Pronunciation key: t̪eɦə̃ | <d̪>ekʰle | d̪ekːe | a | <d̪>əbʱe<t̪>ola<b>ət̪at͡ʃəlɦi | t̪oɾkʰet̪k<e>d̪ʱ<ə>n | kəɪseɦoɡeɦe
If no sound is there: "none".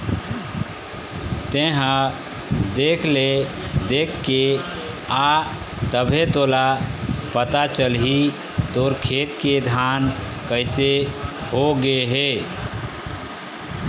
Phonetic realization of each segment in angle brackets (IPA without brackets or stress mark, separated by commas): d̪, t̪, t̪, p, e, a